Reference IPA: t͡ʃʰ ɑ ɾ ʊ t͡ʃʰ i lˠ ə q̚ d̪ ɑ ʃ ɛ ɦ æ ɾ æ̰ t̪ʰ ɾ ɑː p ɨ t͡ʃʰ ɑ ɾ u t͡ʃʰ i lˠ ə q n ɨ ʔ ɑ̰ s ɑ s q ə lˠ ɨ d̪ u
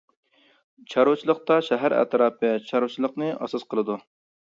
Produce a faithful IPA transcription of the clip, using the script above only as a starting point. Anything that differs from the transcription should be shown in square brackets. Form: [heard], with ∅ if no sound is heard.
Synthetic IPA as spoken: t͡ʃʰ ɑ ɾ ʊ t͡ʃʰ i lˠ ə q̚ [t̪] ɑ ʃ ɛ ɦ æ ɾ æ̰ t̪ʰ ɾ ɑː p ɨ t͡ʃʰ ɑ ɾ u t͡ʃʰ i lˠ ə q n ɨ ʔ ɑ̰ s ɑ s q ə lˠ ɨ d̪ u